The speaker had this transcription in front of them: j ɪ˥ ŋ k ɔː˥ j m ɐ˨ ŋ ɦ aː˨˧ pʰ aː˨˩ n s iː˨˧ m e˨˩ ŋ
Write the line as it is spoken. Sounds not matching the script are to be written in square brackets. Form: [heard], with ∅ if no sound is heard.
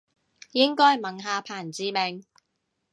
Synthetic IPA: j ɪ˥ ŋ k ɔː˥ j m ɐ˨ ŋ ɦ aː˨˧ pʰ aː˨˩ n [t͡s] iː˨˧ m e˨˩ ŋ